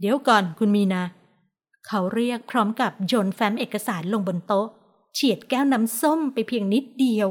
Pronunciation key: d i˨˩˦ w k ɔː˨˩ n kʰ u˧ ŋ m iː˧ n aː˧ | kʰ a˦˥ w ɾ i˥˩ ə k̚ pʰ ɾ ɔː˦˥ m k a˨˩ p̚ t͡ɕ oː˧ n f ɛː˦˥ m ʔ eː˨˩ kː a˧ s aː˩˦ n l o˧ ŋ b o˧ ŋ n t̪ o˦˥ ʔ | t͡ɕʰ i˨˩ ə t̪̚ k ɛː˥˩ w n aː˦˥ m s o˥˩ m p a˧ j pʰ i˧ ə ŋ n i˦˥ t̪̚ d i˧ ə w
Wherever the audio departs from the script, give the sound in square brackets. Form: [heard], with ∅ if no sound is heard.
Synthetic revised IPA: d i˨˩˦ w k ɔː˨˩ n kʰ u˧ [n] m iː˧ n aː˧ | kʰ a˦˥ w ɾ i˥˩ ə k̚ pʰ ɾ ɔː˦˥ m k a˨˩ p̚ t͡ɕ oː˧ n f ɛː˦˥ m ʔ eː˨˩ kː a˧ s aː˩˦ n l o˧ ŋ b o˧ [∅] n t̪ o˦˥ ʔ | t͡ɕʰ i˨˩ ə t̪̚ k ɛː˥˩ w n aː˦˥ m s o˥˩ m p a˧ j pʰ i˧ ə ŋ n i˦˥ t̪̚ d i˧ ə w